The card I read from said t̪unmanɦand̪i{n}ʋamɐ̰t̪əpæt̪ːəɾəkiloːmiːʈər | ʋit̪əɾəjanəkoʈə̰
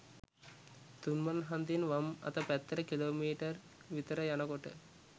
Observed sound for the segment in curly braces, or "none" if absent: n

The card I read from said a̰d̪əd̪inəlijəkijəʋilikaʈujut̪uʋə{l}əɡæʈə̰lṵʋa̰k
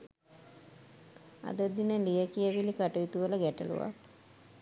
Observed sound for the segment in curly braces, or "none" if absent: l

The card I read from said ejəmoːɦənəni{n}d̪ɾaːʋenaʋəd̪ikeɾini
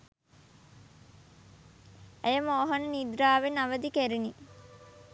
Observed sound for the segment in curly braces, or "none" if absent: none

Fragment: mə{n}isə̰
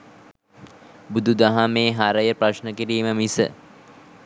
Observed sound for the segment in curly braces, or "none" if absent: m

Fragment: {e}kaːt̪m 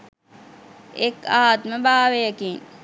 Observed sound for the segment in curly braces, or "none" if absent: e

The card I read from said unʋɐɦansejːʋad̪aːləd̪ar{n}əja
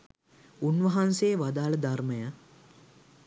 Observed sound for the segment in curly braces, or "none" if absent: m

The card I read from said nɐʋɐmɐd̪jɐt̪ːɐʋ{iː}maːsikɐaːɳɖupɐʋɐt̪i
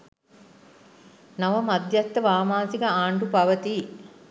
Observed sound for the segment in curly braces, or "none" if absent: aː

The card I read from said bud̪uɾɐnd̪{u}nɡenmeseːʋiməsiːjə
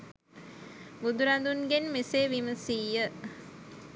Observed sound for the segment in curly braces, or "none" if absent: u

